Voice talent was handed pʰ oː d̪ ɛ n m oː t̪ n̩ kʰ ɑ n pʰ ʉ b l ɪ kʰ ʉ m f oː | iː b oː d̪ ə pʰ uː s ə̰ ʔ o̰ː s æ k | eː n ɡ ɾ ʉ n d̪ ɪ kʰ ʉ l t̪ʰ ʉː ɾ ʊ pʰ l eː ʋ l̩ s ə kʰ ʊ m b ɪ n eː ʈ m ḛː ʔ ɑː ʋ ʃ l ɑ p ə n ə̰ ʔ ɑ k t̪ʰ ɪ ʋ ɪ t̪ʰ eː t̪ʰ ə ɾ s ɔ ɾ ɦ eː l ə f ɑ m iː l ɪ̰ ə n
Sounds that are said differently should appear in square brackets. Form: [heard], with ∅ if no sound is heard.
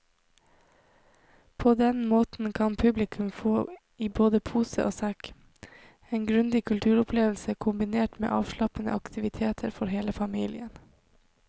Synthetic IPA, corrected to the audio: pʰ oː d̪ ɛ n m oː t̪ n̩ kʰ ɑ n pʰ ʉ b l ɪ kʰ ʉ m f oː | iː b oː d̪ ə pʰ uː s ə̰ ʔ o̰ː s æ k | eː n ɡ ɾ ʉ n d̪ ɪ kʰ ʉ l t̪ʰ ʉː ɾ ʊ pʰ l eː ʋ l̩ s ə kʰ ʊ m b ɪ n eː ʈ m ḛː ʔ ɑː ʋ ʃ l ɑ p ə n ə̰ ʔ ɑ k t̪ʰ ɪ ʋ ɪ t̪ʰ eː t̪ʰ ə ɾ [f] ɔ ɾ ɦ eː l ə f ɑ m iː l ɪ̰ ə n

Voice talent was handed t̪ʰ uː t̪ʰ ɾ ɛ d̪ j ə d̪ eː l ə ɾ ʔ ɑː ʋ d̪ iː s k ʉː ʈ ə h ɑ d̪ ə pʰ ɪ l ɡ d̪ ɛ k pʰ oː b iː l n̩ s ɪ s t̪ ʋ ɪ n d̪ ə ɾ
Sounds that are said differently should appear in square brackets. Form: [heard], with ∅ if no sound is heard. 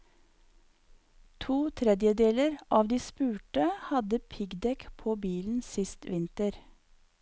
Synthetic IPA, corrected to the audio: t̪ʰ uː t̪ʰ ɾ ɛ d̪ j ə d̪ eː l ə ɾ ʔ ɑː ʋ d̪ iː s [p] ʉː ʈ ə h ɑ d̪ ə pʰ ɪ [∅] ɡ d̪ ɛ k pʰ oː b iː l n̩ s ɪ s t̪ ʋ ɪ n [t̪] ə ɾ

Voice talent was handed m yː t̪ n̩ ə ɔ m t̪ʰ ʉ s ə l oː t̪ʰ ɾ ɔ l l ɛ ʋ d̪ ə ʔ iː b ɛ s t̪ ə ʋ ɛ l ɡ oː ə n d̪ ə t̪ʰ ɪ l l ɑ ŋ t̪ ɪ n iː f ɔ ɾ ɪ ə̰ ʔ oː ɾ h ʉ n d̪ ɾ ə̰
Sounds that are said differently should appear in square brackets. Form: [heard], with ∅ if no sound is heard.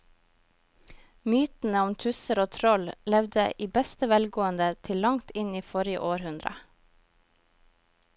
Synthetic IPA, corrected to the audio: m yː t̪ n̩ ə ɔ m t̪ʰ ʉ s ə [ɾ] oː t̪ʰ ɾ ɔ l l ɛ ʋ d̪ ə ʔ iː b ɛ s t̪ ə ʋ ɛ l ɡ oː ə n d̪ ə t̪ʰ ɪ l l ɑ ŋ t̪ ɪ n iː f ɔ ɾ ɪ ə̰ ʔ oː ɾ h ʉ n d̪ ɾ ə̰

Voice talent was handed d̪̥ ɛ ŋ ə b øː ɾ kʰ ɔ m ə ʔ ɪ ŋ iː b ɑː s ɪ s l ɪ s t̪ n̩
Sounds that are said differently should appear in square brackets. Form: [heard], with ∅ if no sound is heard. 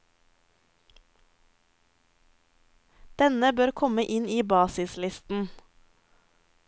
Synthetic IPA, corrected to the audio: d̪̥ ɛ [n] ə b øː ɾ kʰ ɔ m ə ʔ ɪ [n] iː b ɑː s ɪ s l ɪ s t̪ n̩

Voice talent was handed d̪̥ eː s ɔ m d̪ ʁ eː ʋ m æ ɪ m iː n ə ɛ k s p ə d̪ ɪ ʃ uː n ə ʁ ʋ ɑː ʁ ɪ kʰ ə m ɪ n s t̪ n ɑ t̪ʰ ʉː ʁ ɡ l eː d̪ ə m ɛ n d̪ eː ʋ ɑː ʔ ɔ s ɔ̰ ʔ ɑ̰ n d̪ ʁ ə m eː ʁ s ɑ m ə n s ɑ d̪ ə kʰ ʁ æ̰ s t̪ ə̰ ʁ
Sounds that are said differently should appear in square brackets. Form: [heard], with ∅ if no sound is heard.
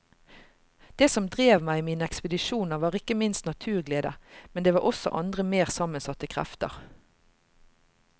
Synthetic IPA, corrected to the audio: d̪̥ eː s ɔ m d̪ ʁ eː ʋ m æ ɪ m iː n ə ɛ k s p ə d̪ ɪ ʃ uː n ə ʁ ʋ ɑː ʁ ɪ [k] ə m ɪ n s t̪ n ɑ t̪ʰ ʉː ʁ ɡ l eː d̪ ə m ɛ n d̪ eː ʋ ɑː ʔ ɔ s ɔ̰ ʔ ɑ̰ n d̪ ʁ ə m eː ʁ s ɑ m ə n s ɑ [t̪] ə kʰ ʁ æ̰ [f] t̪ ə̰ ʁ

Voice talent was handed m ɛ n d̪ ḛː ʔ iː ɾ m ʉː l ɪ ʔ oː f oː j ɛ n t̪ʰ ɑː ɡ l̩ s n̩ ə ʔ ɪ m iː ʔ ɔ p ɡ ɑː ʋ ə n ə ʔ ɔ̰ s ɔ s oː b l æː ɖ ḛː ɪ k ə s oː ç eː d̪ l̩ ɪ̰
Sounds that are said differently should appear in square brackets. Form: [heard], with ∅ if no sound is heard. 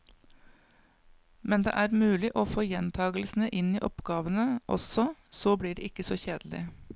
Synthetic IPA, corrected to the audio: m ɛ n d̪ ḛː ʔ [æː] ɾ m ʉː l ɪ ʔ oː f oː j ɛ n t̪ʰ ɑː ɡ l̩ s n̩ ə ʔ ɪ [n] iː ʔ ɔ p ɡ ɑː ʋ ə n ə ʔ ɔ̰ s ɔ s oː b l [iː] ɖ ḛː ɪ k ə s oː ç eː d̪ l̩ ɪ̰

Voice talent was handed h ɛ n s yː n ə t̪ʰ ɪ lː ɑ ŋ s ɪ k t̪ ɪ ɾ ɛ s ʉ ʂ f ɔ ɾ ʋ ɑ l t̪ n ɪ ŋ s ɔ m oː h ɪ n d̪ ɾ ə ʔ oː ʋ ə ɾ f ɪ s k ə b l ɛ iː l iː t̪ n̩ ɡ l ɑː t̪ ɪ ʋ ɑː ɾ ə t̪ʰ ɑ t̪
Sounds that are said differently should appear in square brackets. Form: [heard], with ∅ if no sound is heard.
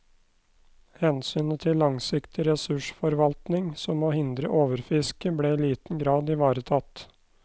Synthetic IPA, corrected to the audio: h ɛ n s yː n ə t̪ʰ ɪ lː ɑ ŋ s ɪ k t̪ ɪ ɾ ɛ s ʉ ʂ f ɔ ɾ ʋ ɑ l t̪ n ɪ ŋ s ɔ m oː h ɪ n d̪ ɾ ə ʔ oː ʋ ə ɾ f ɪ s k ə b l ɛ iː l iː t̪ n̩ ɡ [ɾ] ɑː [d̪] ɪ ʋ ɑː ɾ ə t̪ʰ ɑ t̪

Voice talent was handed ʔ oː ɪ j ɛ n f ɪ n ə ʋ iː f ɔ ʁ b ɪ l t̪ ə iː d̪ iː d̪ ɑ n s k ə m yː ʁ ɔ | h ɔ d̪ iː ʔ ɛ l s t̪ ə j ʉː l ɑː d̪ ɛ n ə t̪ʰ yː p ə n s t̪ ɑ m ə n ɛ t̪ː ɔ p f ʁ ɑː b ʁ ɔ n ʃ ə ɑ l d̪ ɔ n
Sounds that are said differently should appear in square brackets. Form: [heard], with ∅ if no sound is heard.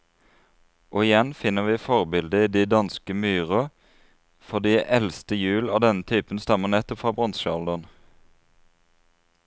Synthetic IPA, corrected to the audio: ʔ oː ɪ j ɛ n f ɪ n ə ʋ iː f ɔ ʁ b ɪ l [d̪] ə iː d̪ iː d̪ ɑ n s k ə m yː ʁ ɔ | [f] ɔ d̪ iː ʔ ɛ l s t̪ ə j ʉː l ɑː d̪ ɛ n ə t̪ʰ yː p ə n s t̪ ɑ m ə n ɛ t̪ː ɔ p f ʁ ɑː b ʁ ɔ n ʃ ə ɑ l d̪ ɔ n

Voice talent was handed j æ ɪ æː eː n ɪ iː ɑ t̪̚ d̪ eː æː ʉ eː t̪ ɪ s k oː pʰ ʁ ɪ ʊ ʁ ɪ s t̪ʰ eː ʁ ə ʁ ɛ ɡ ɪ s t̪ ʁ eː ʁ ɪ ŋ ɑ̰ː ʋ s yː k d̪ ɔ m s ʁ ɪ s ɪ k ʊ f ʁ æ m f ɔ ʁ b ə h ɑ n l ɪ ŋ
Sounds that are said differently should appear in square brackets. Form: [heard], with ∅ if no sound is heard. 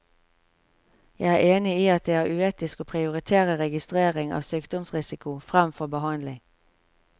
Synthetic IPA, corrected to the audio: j æ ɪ æː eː n ɪ iː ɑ t̪̚ d̪ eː æː ʉ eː t̪ ɪ s k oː pʰ ʁ ɪ ʊ ʁ ɪ [∅] t̪ʰ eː ʁ ə ʁ ɛ ɡ ɪ s t̪ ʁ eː ʁ ɪ ŋ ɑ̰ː ʋ s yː k d̪ ɔ m s ʁ ɪ s ɪ k ʊ f ʁ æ m f ɔ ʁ b ə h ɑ n l ɪ ŋ

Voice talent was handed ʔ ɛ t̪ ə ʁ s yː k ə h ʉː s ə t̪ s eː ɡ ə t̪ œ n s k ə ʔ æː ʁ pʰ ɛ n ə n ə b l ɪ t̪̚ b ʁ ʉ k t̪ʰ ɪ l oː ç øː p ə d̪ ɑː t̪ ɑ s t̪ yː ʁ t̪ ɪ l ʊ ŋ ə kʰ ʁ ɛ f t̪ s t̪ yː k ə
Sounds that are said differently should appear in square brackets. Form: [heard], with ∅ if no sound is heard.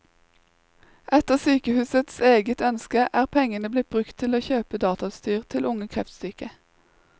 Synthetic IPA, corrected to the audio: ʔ ɛ t̪ ə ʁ s yː k ə h ʉː s ə t̪ s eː ɡ ə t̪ œ n s k ə ʔ æː ʁ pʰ ɛ [ŋ] ə n ə b l ɪ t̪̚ b ʁ ʉ k t̪ʰ ɪ l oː ç øː p ə d̪ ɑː t̪ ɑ s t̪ yː ʁ [t̪ʰ] ɪ l ʊ ŋ ə kʰ ʁ ɛ f t̪ s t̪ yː k ə

